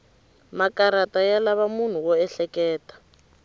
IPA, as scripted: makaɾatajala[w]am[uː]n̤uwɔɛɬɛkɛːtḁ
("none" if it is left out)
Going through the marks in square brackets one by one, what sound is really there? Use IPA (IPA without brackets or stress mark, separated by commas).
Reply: β, u